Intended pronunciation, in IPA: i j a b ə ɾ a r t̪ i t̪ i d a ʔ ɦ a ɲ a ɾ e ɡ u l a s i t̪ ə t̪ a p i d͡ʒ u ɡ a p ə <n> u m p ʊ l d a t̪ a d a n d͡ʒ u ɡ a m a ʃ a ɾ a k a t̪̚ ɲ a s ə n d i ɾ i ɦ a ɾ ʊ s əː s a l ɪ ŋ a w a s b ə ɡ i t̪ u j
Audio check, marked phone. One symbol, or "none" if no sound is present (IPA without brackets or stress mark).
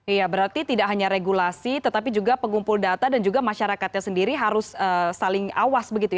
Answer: ŋ